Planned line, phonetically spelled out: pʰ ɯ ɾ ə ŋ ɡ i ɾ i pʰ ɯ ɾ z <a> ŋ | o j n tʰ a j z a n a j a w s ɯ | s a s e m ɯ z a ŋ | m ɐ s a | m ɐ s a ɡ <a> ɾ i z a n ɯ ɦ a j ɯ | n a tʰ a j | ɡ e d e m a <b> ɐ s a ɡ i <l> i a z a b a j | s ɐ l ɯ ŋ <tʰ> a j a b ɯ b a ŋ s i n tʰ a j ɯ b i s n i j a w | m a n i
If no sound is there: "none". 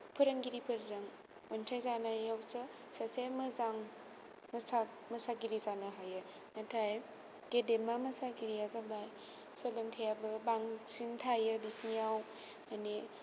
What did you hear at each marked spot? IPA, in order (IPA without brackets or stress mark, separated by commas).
a, i, m, ɾ, tʰ